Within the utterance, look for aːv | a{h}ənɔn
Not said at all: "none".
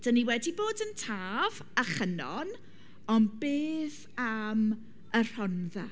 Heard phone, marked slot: χ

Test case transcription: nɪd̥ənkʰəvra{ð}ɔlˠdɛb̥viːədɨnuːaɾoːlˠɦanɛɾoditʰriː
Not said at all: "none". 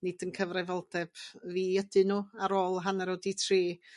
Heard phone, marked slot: v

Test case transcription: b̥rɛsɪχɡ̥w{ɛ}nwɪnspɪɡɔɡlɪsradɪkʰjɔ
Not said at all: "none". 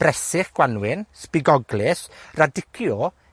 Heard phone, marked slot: a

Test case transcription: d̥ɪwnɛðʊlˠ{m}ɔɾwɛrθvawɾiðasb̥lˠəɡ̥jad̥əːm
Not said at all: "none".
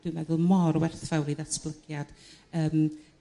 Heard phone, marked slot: m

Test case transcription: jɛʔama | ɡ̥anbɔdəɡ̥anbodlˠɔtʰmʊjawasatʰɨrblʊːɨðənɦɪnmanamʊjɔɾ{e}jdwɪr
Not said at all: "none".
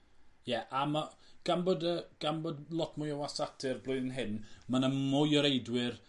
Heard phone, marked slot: e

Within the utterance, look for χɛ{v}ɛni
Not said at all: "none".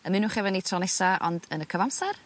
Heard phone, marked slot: v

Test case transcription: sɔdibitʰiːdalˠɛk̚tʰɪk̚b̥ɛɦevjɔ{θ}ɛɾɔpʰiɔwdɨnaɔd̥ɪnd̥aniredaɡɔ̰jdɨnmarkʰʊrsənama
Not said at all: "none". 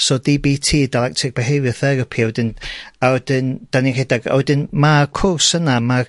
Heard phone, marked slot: θ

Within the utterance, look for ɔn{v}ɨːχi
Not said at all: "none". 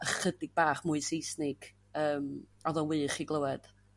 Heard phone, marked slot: w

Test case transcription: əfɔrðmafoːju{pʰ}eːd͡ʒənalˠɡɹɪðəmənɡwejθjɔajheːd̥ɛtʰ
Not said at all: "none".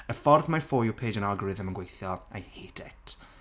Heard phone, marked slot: pʰ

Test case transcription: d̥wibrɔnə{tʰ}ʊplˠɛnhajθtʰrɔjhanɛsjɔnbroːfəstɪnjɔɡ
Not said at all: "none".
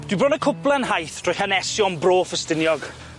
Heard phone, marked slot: kʰ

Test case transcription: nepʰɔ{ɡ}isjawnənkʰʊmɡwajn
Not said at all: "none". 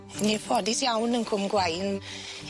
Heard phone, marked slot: d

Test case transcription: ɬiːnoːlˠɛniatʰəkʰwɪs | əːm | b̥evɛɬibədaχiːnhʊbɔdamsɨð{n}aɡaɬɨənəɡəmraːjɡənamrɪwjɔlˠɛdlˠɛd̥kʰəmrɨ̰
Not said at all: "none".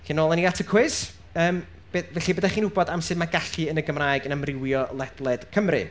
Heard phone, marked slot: m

